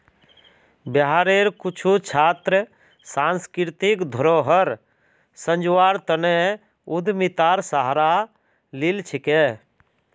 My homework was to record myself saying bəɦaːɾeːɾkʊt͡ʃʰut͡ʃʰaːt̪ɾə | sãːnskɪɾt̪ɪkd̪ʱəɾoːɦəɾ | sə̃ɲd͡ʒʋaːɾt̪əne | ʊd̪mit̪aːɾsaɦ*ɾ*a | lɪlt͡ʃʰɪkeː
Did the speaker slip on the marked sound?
no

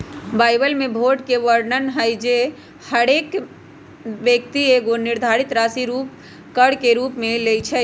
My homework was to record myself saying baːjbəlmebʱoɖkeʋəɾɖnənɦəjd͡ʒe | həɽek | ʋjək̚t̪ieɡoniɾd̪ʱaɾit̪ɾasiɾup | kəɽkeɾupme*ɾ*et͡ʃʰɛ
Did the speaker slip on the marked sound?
yes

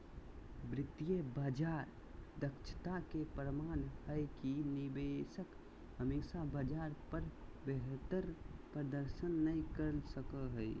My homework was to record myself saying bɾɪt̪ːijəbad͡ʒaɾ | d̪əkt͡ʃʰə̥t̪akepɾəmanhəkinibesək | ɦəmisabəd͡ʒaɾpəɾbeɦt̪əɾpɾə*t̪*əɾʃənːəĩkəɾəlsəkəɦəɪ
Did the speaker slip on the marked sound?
yes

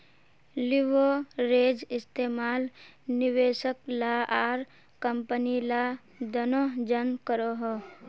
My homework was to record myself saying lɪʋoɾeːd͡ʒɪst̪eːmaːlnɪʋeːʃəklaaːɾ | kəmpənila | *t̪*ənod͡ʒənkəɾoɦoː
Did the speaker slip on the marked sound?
yes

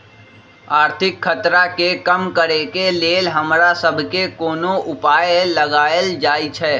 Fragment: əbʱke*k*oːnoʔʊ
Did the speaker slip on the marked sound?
no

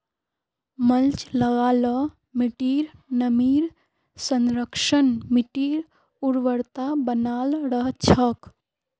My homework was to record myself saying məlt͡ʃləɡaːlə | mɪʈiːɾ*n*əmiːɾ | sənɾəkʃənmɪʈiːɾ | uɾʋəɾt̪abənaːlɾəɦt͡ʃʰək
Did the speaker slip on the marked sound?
no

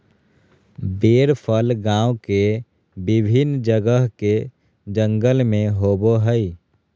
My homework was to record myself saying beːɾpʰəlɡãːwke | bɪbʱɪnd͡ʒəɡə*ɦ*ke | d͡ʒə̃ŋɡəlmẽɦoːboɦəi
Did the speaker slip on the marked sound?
no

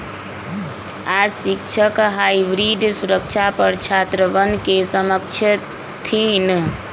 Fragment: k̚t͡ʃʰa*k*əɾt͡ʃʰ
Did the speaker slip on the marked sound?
yes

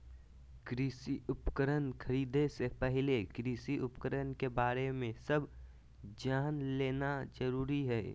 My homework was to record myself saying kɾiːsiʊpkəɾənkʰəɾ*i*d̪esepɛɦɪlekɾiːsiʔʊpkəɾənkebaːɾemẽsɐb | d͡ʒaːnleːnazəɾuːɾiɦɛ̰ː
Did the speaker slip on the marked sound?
yes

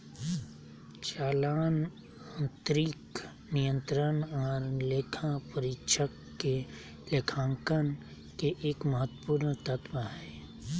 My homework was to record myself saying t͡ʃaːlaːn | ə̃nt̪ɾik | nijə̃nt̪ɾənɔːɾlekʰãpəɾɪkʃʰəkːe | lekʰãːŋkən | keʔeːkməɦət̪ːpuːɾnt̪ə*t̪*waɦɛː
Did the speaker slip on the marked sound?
no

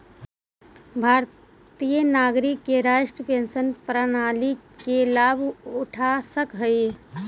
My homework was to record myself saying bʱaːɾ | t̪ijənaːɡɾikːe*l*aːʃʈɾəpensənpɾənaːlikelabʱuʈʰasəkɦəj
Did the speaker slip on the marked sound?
yes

